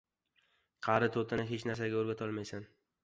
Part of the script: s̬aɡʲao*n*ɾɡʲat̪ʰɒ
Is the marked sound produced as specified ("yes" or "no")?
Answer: no